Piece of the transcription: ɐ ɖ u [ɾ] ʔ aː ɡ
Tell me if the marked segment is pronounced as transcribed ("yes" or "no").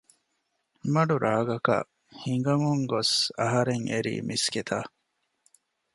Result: yes